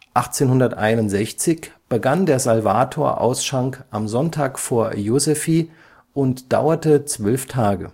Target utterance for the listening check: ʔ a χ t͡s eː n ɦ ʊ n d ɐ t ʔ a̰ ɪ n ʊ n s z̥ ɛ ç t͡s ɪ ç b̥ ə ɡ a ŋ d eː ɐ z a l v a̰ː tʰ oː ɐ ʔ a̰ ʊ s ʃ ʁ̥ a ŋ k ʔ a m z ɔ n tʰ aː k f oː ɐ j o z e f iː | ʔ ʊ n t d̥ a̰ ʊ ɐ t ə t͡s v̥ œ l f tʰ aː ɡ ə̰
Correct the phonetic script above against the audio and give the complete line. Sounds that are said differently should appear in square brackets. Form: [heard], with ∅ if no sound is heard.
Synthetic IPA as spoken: ʔ a χ t͡s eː n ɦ ʊ n d ɐ t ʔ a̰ ɪ n ʊ n [t] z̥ ɛ ç t͡s ɪ ç b̥ ə ɡ a [n] d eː ɐ z a l v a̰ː tʰ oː ɐ ʔ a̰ ʊ s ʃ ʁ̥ a ŋ k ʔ a m z ɔ n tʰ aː k f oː ɐ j o z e f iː | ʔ ʊ n t d̥ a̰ ʊ ɐ t ə t͡s v̥ œ l f tʰ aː ɡ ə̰